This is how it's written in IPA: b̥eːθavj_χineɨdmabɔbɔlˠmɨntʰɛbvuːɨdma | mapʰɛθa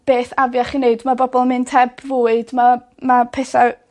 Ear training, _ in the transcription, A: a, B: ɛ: A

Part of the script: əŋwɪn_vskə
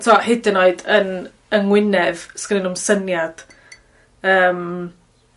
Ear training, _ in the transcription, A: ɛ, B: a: A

